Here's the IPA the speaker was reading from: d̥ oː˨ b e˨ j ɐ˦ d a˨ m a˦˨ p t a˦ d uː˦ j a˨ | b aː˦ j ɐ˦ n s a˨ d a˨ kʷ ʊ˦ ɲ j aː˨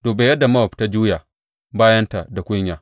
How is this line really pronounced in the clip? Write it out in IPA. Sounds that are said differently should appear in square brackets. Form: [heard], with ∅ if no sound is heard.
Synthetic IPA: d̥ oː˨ b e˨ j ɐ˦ d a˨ m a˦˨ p t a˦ [d͡ʒ] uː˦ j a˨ | b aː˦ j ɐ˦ n [t] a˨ d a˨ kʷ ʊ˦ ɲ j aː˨

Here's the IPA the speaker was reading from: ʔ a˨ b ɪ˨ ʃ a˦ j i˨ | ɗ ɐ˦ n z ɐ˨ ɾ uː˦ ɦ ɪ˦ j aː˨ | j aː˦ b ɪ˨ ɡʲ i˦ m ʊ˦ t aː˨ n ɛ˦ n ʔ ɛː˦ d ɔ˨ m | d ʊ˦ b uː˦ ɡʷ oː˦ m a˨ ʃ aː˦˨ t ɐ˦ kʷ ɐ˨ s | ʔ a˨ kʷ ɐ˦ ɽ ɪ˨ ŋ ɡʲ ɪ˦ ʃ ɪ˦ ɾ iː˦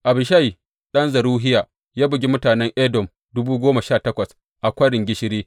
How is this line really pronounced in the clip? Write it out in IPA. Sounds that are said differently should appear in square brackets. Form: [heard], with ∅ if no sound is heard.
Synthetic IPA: ʔ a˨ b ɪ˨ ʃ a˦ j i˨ | ɗ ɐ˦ n z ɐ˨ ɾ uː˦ ɦ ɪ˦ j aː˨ | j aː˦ b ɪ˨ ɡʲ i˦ m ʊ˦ t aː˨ n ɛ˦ [ŋ] ʔ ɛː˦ d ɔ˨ m | d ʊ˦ b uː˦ ɡʷ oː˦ m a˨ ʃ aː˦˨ t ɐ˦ kʷ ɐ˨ s | ʔ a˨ kʷ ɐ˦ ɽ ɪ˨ ŋ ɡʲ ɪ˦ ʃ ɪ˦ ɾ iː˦

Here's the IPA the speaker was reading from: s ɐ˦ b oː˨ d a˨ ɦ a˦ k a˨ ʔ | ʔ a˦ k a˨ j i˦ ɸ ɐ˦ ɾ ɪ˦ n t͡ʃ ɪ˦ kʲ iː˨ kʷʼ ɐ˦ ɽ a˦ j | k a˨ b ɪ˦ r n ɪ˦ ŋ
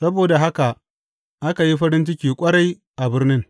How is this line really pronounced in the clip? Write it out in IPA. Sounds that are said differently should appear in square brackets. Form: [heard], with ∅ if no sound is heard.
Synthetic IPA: s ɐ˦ b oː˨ d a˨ ɦ a˦ k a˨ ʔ | ʔ a˦ k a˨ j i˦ ɸ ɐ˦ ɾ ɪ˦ n t͡ʃ ɪ˦ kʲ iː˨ kʷʼ ɐ˦ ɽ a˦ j | [ʔ] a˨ b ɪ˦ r n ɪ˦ ŋ

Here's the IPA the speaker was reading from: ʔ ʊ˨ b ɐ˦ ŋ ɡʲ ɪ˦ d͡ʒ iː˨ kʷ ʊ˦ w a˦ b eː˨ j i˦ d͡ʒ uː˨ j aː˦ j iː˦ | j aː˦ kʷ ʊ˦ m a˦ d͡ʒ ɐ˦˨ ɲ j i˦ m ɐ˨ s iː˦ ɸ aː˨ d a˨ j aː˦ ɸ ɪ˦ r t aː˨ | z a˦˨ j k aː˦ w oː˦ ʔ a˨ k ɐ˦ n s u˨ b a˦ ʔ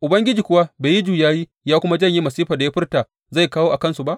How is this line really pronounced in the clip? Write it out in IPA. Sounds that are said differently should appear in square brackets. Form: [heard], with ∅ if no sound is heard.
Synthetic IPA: ʔ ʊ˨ b ɐ˦ ŋ ɡʲ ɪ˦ d͡ʒ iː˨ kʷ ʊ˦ w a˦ b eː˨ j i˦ d͡ʒ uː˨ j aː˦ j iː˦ | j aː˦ kʷ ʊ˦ m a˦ d͡ʒ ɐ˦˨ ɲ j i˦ m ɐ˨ s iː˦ ɸ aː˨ d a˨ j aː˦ ɸ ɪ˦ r t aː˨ | z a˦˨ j k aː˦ w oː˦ ʔ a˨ k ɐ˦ n s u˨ b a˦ ʔ

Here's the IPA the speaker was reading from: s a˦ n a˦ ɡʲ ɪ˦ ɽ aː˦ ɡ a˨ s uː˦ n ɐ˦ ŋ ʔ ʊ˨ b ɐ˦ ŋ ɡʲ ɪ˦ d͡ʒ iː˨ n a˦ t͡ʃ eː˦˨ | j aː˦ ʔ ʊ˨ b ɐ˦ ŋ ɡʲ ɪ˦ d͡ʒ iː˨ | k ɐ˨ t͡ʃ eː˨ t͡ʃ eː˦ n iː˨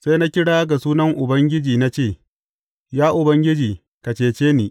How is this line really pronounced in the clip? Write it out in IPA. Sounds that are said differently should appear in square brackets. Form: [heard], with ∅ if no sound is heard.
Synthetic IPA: s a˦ n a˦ [kʲ] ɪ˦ ɽ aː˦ ɡ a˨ s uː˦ n ɐ˦ ŋ ʔ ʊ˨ b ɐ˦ ŋ ɡʲ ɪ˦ d͡ʒ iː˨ n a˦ t͡ʃ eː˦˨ | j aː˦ ʔ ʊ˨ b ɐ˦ ŋ ɡʲ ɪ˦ d͡ʒ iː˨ | k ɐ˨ t͡ʃ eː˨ t͡ʃ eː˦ n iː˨

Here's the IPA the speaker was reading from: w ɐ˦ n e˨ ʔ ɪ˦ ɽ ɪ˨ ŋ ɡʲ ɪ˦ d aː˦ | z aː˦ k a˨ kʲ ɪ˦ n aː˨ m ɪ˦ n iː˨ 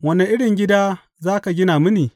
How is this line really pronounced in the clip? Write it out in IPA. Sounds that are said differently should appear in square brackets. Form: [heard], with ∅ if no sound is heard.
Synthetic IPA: w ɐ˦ n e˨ ʔ ɪ˦ ɽ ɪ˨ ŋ ɡʲ ɪ˦ d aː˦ | z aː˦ k a˨ [ɡʲ] ɪ˦ n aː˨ m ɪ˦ n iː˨

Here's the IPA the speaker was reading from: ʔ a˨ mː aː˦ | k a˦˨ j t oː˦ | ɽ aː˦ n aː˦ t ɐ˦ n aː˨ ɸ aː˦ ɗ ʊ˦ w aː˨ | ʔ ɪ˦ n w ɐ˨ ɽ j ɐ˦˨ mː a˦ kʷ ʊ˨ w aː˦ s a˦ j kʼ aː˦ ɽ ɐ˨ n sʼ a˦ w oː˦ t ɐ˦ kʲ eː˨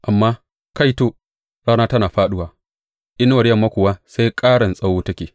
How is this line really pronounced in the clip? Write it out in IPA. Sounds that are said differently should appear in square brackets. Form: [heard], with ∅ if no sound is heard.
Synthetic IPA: ʔ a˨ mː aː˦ | k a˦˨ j t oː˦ | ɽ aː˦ n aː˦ t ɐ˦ n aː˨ ɸ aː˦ ɗ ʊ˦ w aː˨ | ʔ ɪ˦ n w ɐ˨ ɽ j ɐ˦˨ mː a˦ kʷ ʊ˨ w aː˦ s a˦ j kʼ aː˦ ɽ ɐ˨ n sʼ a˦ w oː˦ t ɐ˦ kʲ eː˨

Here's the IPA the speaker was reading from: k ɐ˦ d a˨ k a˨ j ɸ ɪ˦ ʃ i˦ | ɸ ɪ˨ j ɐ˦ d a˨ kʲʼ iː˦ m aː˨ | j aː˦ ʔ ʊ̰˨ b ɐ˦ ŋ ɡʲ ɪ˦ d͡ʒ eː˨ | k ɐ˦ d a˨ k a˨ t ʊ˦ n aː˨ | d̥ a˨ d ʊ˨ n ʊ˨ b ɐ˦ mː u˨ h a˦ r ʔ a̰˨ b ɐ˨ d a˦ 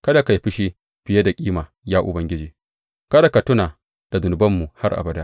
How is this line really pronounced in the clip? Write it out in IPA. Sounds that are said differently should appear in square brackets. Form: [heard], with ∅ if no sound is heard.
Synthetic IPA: k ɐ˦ d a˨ k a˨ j ɸ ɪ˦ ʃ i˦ | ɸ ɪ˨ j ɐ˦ d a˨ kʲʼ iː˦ m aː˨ | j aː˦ ʔ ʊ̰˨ b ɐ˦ ŋ ɡʲ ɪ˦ d͡ʒ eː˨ | k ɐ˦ d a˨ k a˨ t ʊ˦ n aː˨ | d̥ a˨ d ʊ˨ n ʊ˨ b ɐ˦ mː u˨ h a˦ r ʔ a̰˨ b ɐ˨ d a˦

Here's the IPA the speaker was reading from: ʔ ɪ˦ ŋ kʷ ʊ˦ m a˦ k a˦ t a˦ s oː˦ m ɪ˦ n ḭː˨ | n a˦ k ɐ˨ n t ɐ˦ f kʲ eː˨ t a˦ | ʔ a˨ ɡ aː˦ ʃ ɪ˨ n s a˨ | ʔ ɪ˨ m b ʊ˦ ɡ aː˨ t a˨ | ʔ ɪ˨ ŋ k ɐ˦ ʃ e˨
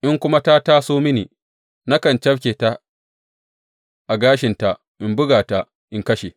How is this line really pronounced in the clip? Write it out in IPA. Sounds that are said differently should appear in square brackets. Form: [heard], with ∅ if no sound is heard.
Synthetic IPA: ʔ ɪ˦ ŋ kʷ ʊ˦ m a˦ [t] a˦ t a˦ s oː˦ m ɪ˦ n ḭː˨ | n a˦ k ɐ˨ n [t͡ʃ] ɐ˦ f kʲ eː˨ t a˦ | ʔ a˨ ɡ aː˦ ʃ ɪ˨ n [t] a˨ | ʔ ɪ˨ m b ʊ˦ ɡ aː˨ t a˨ | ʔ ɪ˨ ŋ k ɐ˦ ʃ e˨

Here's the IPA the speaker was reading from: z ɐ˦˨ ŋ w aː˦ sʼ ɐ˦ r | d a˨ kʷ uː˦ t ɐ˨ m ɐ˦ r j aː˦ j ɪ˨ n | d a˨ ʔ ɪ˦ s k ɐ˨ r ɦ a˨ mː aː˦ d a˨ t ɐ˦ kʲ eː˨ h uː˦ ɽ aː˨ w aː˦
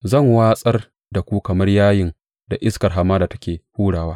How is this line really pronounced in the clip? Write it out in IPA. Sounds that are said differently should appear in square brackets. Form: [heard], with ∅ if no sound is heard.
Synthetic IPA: z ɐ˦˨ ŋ w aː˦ sʼ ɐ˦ r | d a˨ kʷ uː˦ [k] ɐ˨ m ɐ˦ r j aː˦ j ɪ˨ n | d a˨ ʔ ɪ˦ s k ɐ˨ r ɦ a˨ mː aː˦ d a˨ t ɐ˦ kʲ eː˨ h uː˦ ɽ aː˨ w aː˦

